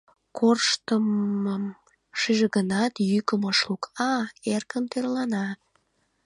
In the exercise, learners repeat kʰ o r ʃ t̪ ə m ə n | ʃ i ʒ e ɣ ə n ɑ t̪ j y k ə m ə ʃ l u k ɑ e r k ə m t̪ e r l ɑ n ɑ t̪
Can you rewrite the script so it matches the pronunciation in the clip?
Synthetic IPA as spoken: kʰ o r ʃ t̪ ə m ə m | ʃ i ʒ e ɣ ə n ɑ t̪ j y k ə m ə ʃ l u k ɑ e r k ə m t̪ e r l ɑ n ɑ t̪